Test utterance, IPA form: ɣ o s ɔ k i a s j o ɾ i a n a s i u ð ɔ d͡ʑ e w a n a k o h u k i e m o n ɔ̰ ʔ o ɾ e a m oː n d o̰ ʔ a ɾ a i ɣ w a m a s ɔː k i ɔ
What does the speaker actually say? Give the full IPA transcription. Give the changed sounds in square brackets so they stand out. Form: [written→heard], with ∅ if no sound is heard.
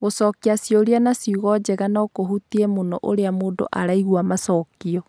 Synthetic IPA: ɣ o s ɔ k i a s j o ɾ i a n a s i u [ð→ɣ] ɔ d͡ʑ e [w→ɣ] a n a k o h u [k→t] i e m o n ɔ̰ ʔ o ɾ e a m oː n d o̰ ʔ a ɾ a i ɣ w a m a s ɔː k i ɔ